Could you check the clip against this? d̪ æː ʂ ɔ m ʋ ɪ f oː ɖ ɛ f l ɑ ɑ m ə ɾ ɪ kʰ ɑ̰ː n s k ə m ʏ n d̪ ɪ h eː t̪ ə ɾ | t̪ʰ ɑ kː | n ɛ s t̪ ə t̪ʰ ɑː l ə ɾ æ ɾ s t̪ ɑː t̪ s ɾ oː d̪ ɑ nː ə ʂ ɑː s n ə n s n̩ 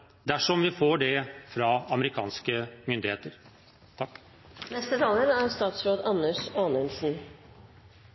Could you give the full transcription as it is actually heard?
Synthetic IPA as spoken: d̪ æ ʂ ɔ m ʋ ɪ f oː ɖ ɛ f ɾ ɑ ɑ m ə ɾ ɪ kʰ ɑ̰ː n s k ə m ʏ n d̪ ɪ h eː t̪ ə ɾ | t̪ʰ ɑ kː | n ɛ s t̪ ə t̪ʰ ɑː l ə ɾ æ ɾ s t̪ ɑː t̪ s ɾ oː d̪ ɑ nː ə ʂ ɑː n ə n s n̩

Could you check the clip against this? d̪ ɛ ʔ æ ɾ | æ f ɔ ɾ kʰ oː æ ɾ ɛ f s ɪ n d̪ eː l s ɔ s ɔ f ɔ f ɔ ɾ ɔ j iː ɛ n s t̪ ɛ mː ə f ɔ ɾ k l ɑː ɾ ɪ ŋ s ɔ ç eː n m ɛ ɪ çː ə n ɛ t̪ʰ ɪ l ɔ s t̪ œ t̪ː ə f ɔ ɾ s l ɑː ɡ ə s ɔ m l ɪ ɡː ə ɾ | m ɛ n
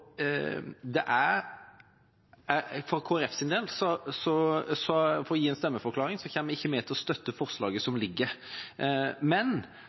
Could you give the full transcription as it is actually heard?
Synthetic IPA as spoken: d̪ ɛ ʔ æ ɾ | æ f ɔ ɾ kʰ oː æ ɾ ɛ f s ɪ n d̪ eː l s ɔ s ɔ s ɔ f ɔ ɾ ɔ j iː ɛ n s t̪ ɛ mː ə f ɔ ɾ k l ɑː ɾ ɪ ŋ s ɔ ç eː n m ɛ ɪ çː ə m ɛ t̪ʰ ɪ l ɔ s t̪ œ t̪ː ə f ɔ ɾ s l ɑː ɡ ə s ɔ m l ɪ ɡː ə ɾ | m ɛ n

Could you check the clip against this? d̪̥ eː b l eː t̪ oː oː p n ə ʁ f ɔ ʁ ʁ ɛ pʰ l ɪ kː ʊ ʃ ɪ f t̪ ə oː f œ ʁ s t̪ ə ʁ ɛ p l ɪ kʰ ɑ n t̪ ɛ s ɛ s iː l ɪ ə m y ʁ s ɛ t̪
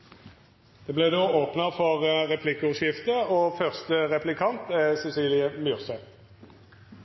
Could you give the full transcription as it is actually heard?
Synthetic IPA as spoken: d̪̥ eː b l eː d̪ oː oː p n ə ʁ f ɔ ʁ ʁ ɛ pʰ l ɪ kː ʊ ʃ ɪ f t̪ ə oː f œ ʁ s t̪ ə ʁ ɛ p l ɪ kʰ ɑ n t̪ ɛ s ɛ s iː l ɪ ə m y ʁ s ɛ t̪

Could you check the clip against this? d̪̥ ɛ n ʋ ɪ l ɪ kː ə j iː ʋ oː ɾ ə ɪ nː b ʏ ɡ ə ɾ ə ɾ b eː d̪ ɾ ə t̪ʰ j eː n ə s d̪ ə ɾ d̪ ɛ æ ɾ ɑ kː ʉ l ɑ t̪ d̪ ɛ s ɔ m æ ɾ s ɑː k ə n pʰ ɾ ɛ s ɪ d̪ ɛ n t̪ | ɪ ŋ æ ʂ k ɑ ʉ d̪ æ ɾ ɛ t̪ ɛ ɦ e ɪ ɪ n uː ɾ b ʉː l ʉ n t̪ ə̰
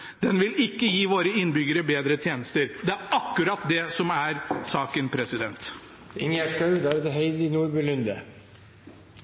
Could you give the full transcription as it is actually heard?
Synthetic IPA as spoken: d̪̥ ɛ n ʋ ɪ l ɪ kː ə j iː ʋ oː ɾ ə ɪ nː b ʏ ɡ ə ɾ ə b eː d̪ ɾ ə t̪ʰ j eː n ə s t̪ ə ɾ d̪ ɛ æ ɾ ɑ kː ʉ ɾ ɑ t̪ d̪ ɛ s ɔ m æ ɾ s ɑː k ə n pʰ ɾ ɛ s ɪ d̪ ɛ n t̪ | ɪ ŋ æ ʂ k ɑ ʉ d̪ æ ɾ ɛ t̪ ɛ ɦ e ɪ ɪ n uː ɾ b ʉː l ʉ n d̪ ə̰

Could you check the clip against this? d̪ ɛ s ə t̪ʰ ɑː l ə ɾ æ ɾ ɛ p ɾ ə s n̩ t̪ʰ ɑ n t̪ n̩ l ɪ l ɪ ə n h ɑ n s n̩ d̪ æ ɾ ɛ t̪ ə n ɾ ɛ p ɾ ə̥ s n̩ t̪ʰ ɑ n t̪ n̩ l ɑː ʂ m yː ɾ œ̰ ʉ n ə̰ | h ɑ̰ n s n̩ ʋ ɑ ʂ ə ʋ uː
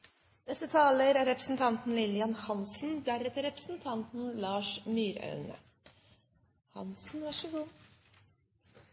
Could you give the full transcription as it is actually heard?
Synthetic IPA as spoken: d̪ ɛ s ə t̪ʰ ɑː l ə ɾ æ ɾ ɛ p ɾ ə s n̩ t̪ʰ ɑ n t̪ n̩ l ɪ l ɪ ɑ n h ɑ n s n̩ d̪ æ ɾ ɛ t̪ ə ɾ ɛ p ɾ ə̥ s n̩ t̪ʰ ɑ n t̪ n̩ l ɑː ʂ m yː ɾ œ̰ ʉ n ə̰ | h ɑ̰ n s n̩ ʋ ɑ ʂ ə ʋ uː

